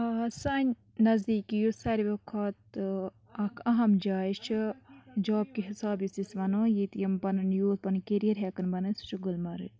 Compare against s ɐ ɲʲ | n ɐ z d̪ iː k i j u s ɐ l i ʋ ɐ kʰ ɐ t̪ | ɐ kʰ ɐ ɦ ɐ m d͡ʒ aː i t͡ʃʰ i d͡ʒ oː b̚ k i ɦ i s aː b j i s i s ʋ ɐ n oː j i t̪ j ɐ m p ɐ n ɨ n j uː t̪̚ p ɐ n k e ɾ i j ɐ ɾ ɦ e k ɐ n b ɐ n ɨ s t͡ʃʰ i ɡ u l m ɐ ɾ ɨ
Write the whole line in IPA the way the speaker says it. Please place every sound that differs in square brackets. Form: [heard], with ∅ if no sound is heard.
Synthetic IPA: s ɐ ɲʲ | n ɐ z d̪ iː k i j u s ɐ [ɾ] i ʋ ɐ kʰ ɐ t̪ | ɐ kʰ ɐ ɦ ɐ m d͡ʒ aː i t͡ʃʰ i d͡ʒ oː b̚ k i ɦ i s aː b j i s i s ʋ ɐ n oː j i t̪ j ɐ m p ɐ n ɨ n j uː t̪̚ p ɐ n k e ɾ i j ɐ ɾ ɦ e k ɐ n b ɐ n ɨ s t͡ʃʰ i ɡ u l m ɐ ɾ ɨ

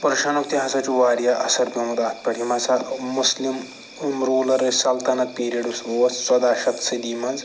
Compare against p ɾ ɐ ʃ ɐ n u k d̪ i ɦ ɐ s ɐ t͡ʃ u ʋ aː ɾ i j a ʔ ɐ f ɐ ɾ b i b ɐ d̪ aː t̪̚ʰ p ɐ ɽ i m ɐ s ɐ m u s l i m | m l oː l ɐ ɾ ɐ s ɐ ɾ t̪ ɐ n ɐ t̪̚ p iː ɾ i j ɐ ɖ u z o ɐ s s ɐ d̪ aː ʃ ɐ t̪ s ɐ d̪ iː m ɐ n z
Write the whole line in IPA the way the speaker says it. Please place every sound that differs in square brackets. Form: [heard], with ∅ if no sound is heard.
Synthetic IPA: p ɾ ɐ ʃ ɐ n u k [t̪] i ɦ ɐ s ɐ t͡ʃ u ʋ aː ɾ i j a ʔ ɐ [s] ɐ ɾ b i [m] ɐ d̪ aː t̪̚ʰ p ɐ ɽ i m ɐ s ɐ m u s l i m | m [ɾ] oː l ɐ ɾ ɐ s ɐ [l] t̪ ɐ n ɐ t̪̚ p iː ɾ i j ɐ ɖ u [s] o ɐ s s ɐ d̪ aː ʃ ɐ t̪ s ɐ d̪ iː m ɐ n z

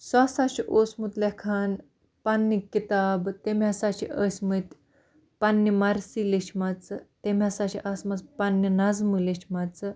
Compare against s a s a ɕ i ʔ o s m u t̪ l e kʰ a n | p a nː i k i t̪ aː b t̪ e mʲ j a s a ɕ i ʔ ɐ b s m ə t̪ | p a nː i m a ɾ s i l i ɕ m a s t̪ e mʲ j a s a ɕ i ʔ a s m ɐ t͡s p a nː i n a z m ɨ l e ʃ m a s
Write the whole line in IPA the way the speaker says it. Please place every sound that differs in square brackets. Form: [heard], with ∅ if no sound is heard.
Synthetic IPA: s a s a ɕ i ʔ o s m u t̪ l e kʰ a n | p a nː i k i t̪ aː b t̪ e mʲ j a s a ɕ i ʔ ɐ [∅] s m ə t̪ | p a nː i m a ɾ s i l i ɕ m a [t͡s] t̪ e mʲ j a s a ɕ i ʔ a s m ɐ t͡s p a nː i n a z m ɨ l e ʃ m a [t͡s]

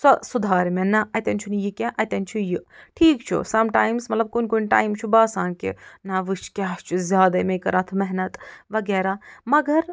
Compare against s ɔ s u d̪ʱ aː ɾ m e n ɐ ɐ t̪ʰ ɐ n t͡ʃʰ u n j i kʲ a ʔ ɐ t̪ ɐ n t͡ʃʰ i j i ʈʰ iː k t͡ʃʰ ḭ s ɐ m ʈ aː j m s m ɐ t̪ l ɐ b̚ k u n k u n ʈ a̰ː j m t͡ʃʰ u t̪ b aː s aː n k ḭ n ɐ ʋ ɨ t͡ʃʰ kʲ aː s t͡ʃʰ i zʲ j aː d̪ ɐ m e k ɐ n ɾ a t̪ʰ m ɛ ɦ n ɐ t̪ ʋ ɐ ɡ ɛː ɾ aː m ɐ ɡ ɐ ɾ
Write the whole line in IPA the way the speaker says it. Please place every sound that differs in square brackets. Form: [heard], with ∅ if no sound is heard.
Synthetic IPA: s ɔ s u d̪ʱ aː ɾ m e n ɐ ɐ [t̪] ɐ n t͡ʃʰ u n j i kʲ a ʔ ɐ t̪ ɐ n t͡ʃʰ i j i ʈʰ iː k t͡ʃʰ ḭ s ɐ m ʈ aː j m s m ɐ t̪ l ɐ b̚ k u n k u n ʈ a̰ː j m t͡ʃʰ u [∅] b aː s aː n k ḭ n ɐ ʋ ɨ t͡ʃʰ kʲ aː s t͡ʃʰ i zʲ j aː d̪ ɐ m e k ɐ [∅] ɾ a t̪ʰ m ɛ ɦ n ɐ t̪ ʋ ɐ ɡ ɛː ɾ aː m ɐ ɡ ɐ ɾ

